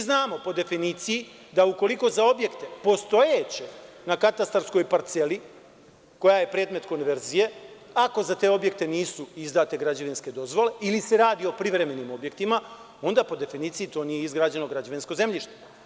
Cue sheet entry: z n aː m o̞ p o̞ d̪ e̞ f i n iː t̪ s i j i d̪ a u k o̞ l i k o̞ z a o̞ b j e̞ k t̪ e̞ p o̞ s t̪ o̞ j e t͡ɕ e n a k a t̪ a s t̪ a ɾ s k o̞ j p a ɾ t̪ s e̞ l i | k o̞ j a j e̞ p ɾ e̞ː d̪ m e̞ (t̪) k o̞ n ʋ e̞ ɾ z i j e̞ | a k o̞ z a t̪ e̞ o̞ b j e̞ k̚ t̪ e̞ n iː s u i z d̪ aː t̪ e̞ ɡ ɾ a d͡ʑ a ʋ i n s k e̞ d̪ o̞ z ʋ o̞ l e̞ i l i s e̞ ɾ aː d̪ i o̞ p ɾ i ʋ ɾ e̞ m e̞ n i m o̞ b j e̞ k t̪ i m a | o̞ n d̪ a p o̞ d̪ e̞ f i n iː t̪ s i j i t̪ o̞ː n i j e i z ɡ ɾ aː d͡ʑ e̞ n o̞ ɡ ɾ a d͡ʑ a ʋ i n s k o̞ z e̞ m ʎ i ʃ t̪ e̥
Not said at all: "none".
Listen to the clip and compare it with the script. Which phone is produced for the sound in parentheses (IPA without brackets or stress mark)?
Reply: t̪